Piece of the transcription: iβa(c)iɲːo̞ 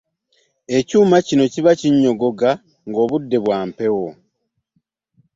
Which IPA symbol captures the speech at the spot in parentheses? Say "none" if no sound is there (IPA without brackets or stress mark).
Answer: c